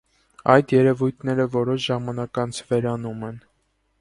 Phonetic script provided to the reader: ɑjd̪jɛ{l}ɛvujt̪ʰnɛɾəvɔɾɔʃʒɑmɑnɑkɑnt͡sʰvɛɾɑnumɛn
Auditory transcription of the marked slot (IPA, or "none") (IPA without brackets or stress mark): ɾ